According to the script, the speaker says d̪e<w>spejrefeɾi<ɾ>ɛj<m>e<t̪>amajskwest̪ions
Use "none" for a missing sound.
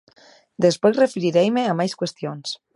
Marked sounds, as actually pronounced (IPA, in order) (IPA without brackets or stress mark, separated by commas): none, ɾ, m, none